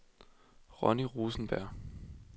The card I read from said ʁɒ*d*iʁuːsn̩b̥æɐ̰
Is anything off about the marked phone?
yes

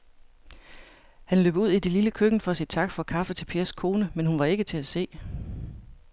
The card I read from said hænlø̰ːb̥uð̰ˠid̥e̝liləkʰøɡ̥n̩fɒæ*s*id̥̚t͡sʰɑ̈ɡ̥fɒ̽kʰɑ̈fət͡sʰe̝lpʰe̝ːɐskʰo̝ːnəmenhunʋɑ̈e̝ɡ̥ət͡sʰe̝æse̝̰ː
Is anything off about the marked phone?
no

